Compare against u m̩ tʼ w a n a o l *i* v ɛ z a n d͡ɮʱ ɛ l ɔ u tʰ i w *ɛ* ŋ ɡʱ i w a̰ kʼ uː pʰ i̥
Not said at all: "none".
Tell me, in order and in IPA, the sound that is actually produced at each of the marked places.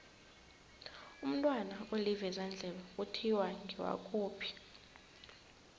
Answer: i, a

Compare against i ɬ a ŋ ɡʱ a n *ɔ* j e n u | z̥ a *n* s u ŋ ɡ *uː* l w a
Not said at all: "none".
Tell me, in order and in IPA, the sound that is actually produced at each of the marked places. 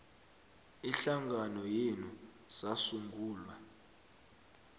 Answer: ɔ, none, uː

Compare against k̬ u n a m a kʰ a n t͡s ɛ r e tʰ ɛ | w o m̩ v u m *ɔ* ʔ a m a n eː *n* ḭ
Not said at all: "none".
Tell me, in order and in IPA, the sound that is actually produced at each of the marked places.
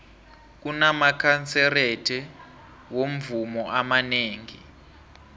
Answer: ɔ, ŋ

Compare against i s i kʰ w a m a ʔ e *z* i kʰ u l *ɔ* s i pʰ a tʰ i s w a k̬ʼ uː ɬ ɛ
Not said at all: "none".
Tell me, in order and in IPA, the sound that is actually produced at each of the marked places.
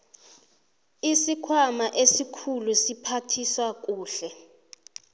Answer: s, u

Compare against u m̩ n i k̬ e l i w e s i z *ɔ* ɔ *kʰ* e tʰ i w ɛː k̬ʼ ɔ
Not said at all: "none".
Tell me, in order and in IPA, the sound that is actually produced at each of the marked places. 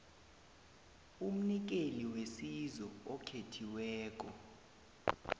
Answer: ɔ, kʰ

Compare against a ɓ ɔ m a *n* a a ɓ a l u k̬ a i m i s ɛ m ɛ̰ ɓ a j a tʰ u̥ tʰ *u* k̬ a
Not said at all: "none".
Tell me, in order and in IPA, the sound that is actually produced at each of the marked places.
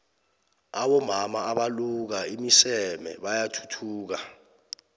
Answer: m, uː

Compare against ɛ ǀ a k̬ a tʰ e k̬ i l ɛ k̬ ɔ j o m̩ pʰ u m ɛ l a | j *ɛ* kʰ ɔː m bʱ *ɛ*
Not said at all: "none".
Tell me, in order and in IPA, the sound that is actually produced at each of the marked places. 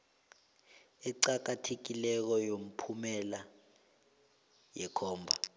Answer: ɛ, a

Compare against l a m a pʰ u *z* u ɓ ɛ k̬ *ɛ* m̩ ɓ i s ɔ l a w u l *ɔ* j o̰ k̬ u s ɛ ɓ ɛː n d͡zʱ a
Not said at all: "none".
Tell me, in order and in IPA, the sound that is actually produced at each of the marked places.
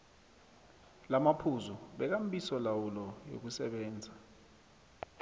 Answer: z, a, ɔ

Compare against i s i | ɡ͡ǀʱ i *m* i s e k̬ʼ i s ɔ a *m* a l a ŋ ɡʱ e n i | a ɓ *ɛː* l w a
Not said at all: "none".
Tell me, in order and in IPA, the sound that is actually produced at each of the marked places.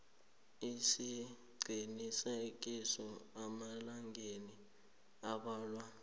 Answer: n, m, aː

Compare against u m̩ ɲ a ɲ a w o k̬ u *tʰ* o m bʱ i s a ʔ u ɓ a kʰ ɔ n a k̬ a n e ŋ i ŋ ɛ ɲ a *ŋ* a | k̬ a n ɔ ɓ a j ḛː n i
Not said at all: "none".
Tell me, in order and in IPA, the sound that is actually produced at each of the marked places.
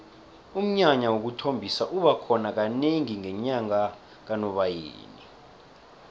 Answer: tʰ, ŋ

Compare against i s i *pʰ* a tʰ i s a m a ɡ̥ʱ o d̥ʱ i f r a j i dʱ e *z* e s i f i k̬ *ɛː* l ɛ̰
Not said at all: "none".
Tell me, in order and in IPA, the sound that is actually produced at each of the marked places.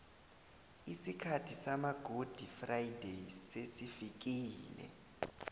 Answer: kʰ, s, iː

